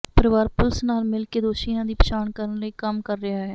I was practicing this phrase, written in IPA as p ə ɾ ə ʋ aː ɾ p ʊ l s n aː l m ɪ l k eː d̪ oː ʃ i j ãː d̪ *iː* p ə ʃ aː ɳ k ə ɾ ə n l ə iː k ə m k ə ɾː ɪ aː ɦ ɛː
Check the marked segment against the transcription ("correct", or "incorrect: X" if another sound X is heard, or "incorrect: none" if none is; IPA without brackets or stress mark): correct